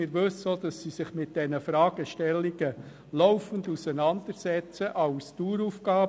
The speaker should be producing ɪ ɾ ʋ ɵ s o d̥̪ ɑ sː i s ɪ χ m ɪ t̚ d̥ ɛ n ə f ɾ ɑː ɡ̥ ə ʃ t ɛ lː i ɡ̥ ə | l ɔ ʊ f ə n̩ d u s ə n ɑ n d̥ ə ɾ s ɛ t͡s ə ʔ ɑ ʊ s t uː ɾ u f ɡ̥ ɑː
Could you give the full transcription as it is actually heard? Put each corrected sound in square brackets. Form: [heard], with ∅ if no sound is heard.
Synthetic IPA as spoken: ɪ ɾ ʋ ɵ s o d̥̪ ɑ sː i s ɪ χ m ɪ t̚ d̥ ɛ n ə f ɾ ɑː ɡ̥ ə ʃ t ɛ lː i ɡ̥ ə | l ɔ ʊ f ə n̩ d u s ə n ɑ n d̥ ə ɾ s ɛ t͡s ə ʔ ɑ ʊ s t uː ɾ u f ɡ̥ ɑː